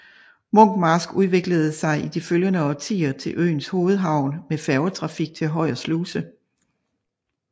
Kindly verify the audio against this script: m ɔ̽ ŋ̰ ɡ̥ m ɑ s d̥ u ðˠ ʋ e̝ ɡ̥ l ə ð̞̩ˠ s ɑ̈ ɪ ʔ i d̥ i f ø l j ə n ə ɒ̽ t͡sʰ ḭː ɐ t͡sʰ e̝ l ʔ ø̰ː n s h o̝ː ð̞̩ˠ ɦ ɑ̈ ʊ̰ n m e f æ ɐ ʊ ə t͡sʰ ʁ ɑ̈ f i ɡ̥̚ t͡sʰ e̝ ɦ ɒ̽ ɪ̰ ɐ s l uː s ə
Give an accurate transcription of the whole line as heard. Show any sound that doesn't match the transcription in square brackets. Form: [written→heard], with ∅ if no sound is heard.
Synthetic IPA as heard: m ɔ̽ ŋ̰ ɡ̥ m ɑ s [d̥→ɡ̥] u ðˠ ʋ e̝ ɡ̥ l ə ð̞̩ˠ s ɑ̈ ɪ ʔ i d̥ i f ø l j ə n ə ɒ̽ t͡sʰ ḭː ɐ t͡sʰ e̝ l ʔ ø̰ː n s h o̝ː ð̞̩ˠ ɦ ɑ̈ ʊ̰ n m e f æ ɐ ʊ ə t͡sʰ ʁ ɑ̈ f i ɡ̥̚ t͡sʰ e̝ ɦ ɒ̽ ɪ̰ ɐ s l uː s ə